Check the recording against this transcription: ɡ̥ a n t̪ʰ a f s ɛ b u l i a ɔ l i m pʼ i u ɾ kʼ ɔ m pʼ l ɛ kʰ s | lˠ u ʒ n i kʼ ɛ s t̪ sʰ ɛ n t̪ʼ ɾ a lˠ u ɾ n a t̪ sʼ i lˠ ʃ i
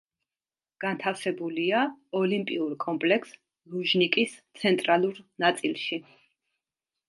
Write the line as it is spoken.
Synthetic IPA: ɡ̥ a n t̪ʰ a f s ɛ b u l i a ɔ l i m pʼ i u ɾ kʼ ɔ m pʼ l ɛ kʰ s | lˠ u ʒ n i kʼ i s t̪ sʰ ɛ n t̪ʼ ɾ a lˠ u ɾ n a t̪ sʼ i lˠ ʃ i